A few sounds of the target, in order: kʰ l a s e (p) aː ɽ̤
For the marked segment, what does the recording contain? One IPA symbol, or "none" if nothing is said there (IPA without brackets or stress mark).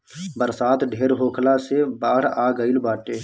b